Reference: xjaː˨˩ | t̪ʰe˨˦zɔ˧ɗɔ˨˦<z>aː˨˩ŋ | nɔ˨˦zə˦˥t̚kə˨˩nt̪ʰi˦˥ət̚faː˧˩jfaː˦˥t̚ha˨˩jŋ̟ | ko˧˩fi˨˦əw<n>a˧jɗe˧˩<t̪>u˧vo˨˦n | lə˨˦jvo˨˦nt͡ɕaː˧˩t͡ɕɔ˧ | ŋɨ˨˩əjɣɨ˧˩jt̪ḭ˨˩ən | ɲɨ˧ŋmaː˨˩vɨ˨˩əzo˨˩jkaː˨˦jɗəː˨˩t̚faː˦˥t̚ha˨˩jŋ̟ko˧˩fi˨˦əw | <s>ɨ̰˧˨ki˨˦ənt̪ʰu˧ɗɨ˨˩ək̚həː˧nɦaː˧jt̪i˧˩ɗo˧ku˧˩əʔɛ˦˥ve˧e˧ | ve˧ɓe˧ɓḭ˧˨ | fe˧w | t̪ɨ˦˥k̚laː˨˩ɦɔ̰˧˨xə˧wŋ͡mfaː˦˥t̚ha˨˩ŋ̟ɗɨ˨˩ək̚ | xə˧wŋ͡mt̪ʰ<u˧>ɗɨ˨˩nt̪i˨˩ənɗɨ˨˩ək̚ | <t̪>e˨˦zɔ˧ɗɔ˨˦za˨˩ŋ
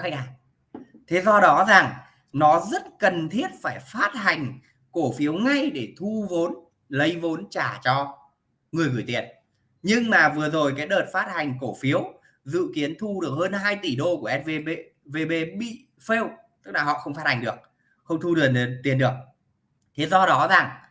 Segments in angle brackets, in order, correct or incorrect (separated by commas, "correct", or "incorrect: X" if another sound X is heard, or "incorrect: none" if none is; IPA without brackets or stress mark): correct, incorrect: ŋ, incorrect: t̪ʰ, incorrect: z, correct, incorrect: t̪ʰ